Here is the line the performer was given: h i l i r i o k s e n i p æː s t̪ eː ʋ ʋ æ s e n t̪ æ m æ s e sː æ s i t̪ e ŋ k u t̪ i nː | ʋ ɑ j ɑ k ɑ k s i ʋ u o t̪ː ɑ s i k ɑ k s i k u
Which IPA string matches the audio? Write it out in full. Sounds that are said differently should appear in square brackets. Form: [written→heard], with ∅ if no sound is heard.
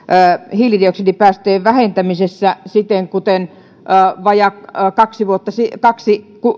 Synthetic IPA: h i l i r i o k s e n i p æː s t̪ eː ʋ ʋ æ [s→h] e n t̪ æ m [æ→i] s e sː æ s i t̪ e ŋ k u t̪ [i→e] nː | ʋ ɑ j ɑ k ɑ k s i ʋ u o t̪ː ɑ s i k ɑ k s i k u